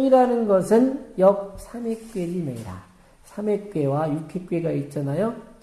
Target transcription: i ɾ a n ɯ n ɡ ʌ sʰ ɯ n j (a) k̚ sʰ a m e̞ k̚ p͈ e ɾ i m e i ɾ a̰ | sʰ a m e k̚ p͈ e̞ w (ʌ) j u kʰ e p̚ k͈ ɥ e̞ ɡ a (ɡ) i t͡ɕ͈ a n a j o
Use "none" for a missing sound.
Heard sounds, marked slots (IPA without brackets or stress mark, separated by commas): ʌ, a, none